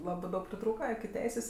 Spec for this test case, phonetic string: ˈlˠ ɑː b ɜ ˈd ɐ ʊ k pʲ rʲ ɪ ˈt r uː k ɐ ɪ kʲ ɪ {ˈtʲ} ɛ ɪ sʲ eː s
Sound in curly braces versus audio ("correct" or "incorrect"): correct